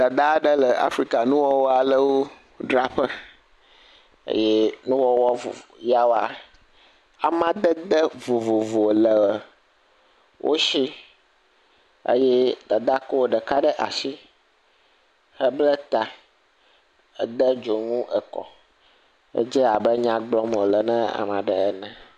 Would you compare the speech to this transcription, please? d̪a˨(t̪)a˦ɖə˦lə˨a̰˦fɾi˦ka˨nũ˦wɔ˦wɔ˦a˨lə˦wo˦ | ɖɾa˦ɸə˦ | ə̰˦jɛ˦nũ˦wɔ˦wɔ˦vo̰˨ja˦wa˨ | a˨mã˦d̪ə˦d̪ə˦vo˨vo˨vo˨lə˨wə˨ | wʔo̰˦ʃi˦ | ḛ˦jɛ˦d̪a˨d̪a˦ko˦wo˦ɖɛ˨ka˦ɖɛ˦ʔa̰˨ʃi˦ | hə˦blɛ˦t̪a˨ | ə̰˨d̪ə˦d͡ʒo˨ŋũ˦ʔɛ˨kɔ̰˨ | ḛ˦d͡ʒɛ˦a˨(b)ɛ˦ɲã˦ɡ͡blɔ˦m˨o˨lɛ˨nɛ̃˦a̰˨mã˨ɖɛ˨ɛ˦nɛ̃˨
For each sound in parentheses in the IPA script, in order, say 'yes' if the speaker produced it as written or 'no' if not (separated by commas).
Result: no, yes